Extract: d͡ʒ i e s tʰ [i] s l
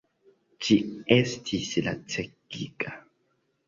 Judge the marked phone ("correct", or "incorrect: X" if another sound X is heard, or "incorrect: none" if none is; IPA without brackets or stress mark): correct